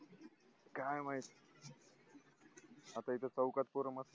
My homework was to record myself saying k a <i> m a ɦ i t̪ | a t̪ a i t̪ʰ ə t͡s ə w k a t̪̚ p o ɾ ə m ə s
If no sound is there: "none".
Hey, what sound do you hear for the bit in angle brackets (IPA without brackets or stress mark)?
j